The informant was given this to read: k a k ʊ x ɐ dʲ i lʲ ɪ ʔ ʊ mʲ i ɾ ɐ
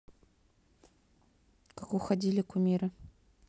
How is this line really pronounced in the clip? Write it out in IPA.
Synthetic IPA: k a k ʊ x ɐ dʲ i lʲ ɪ k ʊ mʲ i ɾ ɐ